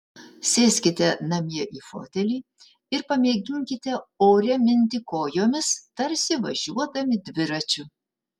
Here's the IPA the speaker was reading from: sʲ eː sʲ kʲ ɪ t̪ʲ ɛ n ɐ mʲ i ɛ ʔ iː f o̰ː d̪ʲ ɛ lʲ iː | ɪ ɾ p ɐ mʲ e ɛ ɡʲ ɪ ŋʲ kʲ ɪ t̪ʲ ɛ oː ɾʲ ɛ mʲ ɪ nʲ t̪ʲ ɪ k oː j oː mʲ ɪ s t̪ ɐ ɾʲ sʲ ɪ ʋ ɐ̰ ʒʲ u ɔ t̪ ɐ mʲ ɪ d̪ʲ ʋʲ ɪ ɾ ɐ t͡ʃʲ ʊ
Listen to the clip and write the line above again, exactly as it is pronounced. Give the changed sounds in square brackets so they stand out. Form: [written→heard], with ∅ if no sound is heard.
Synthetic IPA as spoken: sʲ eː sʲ kʲ ɪ t̪ʲ ɛ n ɐ mʲ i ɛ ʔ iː f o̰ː [d̪ʲ→t̪ʲ] ɛ lʲ iː | ɪ ɾ p ɐ mʲ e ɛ ɡʲ ɪ ŋʲ kʲ ɪ t̪ʲ ɛ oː ɾʲ ɛ mʲ ɪ nʲ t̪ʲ ɪ k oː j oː mʲ ɪ s t̪ ɐ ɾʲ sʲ ɪ ʋ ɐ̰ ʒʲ u ɔ [t̪→d̪] ɐ mʲ ɪ d̪ʲ ʋʲ ɪ ɾ ɐ t͡ʃʲ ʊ